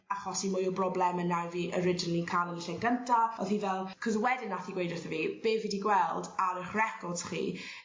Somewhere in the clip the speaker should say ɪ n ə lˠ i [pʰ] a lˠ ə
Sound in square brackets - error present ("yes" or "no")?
yes